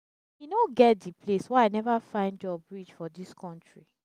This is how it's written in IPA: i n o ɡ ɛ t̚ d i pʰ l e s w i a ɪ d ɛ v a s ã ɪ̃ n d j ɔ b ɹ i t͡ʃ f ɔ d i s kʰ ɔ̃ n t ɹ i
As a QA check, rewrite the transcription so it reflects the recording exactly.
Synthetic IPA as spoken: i n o ɡ ɛ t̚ d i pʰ l e s w ɛ a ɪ n ɛ v a f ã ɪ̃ n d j ɔ b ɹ i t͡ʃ f ɔ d i s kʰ ɔ̃ n t ɹ i

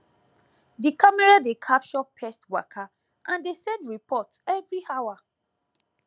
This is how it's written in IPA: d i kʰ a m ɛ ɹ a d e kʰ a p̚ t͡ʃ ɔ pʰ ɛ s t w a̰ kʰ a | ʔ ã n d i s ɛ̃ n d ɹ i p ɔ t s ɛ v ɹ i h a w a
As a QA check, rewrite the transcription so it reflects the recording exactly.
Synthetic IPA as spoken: d i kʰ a m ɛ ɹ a d e kʰ a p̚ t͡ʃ ɔ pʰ ɛ s t w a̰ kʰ a | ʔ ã n d e s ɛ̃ n d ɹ i p ɔ t s ɛ v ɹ i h a w a

